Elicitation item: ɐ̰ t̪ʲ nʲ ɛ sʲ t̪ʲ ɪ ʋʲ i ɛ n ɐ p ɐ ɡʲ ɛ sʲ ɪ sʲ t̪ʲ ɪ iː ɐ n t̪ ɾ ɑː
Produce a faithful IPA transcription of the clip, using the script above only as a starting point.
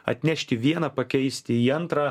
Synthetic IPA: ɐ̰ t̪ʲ nʲ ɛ ʃʲ t̪ʲ ɪ ʋʲ i ɛ n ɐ p ɐ kʲ ɛ ɪ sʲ t̪ʲ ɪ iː ɐ n t̪ ɾ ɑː